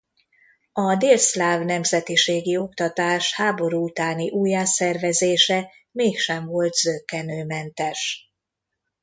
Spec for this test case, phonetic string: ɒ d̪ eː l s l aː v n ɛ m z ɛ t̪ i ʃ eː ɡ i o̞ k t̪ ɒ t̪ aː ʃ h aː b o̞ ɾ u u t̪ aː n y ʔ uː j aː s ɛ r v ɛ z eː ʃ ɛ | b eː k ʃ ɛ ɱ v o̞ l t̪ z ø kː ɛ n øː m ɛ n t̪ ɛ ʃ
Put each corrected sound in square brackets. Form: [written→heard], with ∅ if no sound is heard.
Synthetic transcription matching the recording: ɒ d̪ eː l s l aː v n ɛ m z ɛ t̪ i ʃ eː ɡ i o̞ k t̪ ɒ t̪ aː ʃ h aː b o̞ ɾ u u t̪ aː n [y→i] ʔ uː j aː s ɛ r v ɛ z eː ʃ ɛ | [b→m] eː k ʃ ɛ ɱ v o̞ l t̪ z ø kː ɛ n øː m ɛ n t̪ ɛ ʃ